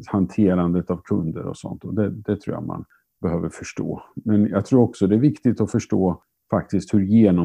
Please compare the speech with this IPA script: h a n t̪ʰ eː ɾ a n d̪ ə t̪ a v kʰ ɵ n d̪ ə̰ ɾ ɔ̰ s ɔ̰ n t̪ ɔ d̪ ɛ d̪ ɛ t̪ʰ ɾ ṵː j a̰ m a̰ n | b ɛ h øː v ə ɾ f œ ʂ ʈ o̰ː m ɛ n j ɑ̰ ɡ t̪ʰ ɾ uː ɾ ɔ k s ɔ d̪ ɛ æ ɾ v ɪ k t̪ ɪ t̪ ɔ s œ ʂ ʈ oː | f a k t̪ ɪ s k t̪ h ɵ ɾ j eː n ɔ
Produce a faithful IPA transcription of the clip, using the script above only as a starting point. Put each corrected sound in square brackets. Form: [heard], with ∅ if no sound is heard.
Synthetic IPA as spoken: h a n t̪ʰ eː ɾ a n d̪ ə t̪ a v kʰ ɵ n d̪ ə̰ ɾ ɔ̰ s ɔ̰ n t̪ ɔ d̪ ɛ d̪ ɛ t̪ʰ ɾ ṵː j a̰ m a̰ n | b ɛ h øː v ə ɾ f œ ʂ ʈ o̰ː m ɛ n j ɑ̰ ɡ t̪ʰ ɾ uː ɾ ɔ k s ɔ d̪ ɛ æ ɾ v ɪ k t̪ ɪ t̪ ɔ [f] œ ʂ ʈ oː | f a k t̪ ɪ s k t̪ h ɵ ɾ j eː n ɔ